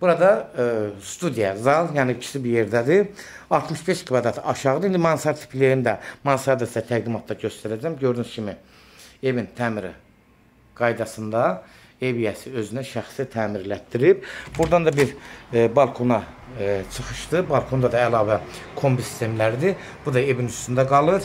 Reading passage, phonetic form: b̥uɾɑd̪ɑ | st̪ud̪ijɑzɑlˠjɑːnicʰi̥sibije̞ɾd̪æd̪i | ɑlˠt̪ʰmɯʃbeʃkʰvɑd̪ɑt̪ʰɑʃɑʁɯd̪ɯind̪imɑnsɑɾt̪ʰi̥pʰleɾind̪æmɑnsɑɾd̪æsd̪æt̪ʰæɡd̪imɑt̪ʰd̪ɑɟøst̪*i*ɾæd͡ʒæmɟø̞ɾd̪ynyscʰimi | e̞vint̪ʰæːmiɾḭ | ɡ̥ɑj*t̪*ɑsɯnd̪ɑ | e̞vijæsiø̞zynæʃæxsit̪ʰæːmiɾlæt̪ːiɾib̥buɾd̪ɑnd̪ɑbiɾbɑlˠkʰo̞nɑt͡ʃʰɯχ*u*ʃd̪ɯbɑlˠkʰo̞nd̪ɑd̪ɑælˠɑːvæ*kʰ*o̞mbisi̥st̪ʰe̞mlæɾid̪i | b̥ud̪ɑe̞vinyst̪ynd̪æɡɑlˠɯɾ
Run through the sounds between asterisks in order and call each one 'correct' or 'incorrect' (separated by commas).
incorrect, incorrect, incorrect, correct